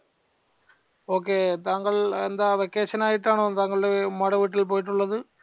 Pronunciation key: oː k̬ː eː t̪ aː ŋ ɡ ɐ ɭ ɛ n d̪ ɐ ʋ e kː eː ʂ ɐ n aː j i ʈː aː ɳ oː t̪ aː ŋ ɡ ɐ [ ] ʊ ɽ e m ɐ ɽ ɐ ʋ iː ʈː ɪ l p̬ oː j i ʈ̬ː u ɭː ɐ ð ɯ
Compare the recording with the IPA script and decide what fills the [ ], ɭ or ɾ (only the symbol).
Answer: ɭ